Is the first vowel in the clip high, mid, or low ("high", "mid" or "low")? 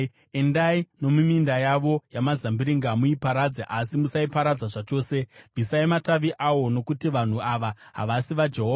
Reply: mid